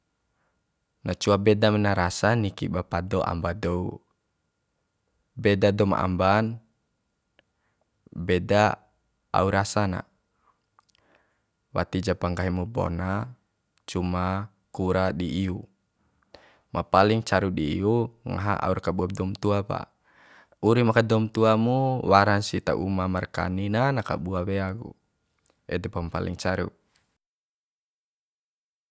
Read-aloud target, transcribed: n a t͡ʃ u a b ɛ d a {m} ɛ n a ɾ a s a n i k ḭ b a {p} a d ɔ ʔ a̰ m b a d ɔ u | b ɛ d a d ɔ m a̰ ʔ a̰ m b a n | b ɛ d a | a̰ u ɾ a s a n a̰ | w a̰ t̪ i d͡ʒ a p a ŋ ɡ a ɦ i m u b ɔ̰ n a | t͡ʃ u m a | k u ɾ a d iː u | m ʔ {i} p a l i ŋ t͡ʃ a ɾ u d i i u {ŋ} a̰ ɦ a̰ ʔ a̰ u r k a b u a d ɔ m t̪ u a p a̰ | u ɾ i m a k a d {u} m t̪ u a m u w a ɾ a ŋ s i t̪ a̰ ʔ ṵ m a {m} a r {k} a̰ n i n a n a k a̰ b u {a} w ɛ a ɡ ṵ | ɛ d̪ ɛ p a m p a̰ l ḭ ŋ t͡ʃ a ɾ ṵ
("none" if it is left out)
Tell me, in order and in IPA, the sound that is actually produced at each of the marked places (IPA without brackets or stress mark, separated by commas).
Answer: m, p, a, ŋ, ɔ, m, k, a